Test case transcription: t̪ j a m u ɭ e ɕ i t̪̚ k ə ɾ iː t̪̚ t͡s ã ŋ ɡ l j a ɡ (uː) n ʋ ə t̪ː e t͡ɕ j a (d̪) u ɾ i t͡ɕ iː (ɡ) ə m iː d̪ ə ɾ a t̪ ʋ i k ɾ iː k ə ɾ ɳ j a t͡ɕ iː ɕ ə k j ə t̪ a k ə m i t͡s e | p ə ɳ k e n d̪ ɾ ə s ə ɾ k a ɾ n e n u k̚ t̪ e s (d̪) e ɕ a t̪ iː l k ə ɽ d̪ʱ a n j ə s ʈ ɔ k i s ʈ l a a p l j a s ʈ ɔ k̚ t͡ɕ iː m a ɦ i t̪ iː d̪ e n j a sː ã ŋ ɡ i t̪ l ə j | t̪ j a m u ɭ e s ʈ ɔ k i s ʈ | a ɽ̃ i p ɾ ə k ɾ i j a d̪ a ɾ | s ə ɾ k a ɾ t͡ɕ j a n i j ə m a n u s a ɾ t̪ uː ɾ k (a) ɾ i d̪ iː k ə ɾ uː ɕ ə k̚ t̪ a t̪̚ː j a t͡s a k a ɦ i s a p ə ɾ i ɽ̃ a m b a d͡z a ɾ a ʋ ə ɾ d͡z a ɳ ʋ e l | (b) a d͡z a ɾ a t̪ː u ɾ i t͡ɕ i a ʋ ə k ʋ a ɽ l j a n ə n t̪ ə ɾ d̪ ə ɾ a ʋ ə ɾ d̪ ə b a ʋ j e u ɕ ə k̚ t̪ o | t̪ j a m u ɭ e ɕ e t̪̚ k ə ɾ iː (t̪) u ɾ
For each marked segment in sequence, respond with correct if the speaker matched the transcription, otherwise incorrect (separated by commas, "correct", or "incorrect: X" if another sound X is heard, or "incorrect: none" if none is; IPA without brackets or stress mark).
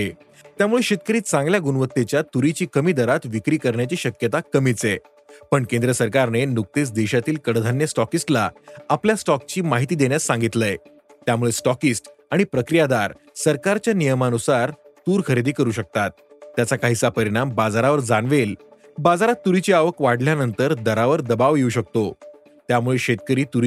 incorrect: u, incorrect: t̪, incorrect: k, correct, incorrect: ə, correct, correct